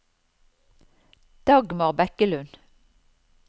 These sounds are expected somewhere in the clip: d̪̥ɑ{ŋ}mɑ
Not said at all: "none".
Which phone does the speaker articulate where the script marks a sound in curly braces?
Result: ɡ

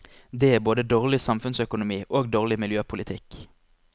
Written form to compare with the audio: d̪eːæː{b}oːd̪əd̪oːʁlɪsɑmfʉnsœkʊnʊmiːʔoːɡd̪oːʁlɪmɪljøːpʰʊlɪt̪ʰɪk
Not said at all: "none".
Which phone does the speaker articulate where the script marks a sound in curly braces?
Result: b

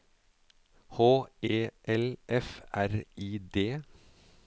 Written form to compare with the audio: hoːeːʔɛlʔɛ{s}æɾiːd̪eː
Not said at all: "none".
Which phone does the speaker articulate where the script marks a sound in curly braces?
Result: f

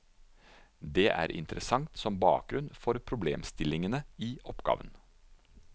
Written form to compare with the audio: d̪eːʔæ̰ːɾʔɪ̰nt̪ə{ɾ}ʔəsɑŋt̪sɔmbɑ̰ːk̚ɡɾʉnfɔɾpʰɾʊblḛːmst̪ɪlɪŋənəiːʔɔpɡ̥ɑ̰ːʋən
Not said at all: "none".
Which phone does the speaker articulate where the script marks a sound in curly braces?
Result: ɾ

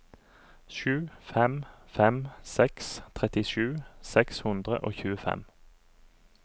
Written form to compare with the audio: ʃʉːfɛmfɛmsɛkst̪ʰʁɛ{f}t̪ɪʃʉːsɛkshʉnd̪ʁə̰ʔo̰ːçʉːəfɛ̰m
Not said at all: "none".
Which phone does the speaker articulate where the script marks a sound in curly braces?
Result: none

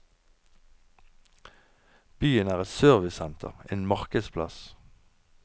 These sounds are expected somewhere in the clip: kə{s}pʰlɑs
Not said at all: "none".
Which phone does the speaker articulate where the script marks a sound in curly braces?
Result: s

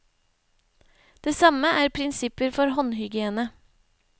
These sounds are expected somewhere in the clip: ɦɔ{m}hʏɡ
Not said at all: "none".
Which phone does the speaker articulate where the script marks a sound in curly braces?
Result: n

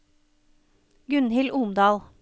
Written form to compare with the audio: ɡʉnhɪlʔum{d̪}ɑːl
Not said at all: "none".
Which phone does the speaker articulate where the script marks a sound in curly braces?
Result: d̪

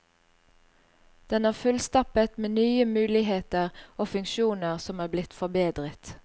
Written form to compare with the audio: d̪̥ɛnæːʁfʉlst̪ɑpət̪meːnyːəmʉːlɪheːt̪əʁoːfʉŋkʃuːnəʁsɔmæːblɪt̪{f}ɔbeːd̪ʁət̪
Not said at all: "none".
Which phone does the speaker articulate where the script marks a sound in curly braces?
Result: f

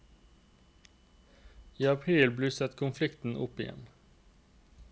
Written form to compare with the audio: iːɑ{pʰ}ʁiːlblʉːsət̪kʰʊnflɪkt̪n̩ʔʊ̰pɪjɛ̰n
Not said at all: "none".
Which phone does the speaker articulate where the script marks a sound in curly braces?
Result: pʰ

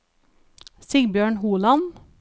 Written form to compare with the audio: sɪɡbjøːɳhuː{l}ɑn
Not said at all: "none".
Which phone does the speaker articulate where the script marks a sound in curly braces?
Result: l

